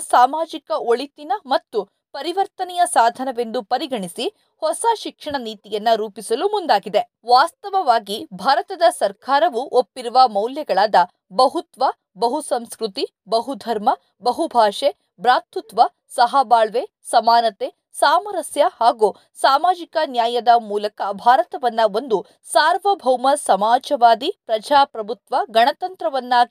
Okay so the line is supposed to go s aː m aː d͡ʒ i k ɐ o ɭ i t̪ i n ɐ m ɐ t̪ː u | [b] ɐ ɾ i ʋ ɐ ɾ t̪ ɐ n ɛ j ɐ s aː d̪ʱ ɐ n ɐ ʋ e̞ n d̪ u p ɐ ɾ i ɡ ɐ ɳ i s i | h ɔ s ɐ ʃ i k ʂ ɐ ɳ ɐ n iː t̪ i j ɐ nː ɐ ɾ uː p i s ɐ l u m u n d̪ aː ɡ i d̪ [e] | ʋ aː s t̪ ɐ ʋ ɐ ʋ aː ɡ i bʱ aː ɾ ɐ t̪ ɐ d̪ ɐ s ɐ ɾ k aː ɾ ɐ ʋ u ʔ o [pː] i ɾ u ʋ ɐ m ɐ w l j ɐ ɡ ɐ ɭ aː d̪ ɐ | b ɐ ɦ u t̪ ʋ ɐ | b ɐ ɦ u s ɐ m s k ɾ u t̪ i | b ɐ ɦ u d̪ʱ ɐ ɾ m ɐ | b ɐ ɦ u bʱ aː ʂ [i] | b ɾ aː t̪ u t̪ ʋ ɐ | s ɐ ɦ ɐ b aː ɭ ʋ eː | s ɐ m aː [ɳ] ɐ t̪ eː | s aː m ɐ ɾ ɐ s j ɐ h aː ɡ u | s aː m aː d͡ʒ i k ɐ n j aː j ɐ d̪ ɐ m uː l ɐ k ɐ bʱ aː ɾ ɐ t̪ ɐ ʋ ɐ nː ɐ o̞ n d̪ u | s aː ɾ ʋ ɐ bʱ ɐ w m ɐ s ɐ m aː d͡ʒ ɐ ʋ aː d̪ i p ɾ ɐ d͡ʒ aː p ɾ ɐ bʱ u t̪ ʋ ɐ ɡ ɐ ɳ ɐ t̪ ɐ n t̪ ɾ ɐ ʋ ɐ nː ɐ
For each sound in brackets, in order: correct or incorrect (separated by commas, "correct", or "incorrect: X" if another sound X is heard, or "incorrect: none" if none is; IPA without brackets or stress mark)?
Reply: incorrect: p, correct, correct, incorrect: e, incorrect: n